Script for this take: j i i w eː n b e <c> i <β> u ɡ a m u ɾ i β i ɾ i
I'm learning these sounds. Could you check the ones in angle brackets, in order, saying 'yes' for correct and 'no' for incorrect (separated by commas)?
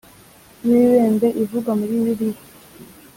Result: no, no